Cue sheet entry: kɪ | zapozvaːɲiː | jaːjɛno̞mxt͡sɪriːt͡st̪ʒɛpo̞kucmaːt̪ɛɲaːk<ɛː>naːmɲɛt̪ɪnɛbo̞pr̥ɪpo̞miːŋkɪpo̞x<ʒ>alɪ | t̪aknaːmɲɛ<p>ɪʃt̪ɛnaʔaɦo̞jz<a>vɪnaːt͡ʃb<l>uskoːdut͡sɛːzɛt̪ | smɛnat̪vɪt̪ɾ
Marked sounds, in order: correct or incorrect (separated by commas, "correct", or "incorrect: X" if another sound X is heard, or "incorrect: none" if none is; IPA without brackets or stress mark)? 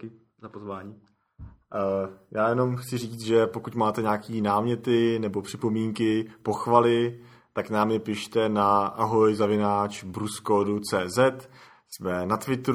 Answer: incorrect: iː, incorrect: v, correct, correct, incorrect: ɾ